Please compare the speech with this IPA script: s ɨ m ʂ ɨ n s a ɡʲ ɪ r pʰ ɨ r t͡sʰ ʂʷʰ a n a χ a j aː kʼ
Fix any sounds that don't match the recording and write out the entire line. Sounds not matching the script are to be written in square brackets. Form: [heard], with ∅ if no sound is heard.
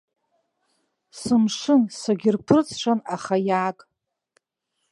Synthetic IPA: s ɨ m ʂ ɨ n s a ɡʲ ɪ r pʰ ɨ r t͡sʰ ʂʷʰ a n a χ a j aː kʼ